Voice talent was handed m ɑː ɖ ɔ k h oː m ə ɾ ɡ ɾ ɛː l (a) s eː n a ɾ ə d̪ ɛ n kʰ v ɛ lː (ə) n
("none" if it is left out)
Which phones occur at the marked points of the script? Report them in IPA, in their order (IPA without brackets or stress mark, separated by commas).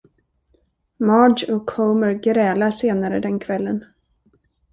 a, ə